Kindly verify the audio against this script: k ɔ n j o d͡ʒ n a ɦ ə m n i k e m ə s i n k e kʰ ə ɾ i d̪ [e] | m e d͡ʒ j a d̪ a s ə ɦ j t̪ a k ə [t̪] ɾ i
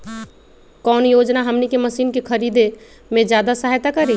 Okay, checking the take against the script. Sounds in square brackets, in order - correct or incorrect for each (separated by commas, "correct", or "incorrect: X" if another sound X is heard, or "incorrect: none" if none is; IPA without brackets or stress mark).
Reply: correct, incorrect: none